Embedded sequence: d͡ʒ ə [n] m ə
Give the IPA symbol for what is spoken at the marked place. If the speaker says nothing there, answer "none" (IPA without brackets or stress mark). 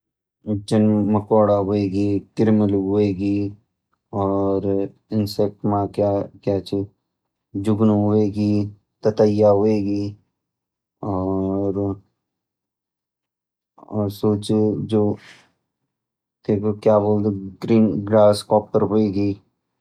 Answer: n